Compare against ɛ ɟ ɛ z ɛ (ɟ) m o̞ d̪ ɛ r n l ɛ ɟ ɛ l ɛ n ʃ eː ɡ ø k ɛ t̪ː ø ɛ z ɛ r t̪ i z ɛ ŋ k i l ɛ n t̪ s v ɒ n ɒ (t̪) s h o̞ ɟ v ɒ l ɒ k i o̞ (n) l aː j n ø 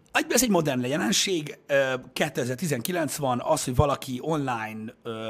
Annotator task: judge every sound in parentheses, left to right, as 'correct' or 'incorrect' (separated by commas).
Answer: correct, incorrect, correct